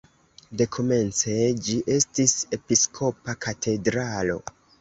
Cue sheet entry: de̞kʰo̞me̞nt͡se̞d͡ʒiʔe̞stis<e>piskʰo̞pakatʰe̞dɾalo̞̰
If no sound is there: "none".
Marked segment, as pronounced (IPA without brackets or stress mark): e